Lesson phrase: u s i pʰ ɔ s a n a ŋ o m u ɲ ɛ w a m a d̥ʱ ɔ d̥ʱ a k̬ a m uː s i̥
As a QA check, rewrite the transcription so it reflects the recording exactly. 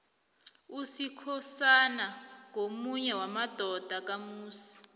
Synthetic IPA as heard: u s i kʰ ɔ s a n a ŋ o m u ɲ ɛ w a m a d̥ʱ ɔ d̥ʱ a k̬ a m uː s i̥